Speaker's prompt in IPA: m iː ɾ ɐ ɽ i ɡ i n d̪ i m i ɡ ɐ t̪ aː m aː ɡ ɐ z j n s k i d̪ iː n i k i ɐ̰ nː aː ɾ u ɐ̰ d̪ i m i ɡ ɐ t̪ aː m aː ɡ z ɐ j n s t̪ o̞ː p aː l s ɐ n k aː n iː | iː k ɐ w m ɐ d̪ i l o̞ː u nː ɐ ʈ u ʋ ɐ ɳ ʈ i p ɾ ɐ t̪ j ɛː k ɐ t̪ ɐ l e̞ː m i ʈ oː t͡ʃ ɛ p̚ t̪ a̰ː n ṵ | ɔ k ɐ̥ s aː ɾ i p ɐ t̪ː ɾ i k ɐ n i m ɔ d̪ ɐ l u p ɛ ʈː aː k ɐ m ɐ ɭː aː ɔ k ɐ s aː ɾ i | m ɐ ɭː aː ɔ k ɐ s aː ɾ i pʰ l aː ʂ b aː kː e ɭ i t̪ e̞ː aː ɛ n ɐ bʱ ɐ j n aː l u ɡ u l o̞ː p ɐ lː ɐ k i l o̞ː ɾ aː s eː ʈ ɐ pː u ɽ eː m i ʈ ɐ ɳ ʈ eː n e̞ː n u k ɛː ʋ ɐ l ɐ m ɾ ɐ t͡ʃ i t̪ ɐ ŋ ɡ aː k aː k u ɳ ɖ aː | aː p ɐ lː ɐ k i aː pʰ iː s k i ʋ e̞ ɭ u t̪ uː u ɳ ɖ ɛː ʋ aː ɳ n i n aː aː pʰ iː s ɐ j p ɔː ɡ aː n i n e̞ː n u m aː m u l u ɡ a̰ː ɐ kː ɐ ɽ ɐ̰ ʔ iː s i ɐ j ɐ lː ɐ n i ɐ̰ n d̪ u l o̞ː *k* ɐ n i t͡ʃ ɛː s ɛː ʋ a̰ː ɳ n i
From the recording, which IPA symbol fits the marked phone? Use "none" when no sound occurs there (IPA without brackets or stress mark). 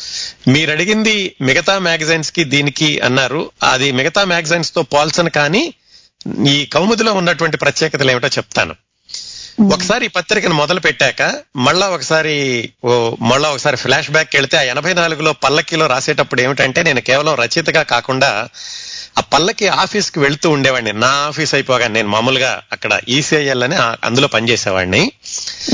p